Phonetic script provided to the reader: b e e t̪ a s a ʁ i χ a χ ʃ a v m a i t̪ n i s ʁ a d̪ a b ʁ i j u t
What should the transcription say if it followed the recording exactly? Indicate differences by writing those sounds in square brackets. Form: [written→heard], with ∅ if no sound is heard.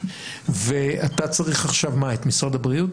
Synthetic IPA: [b→v] e [e→a] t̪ a [s→t͡s] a ʁ i χ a χ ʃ a v m a [i→e] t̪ [n→m] i s ʁ a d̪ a b ʁ i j u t